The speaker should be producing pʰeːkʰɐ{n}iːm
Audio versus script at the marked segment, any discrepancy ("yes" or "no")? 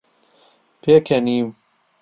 no